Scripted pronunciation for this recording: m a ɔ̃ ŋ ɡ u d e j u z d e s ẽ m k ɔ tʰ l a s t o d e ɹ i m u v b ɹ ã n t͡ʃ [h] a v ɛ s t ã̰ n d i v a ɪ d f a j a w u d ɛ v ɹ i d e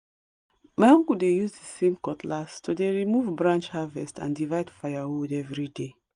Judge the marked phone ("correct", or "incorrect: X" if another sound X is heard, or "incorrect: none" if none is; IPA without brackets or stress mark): correct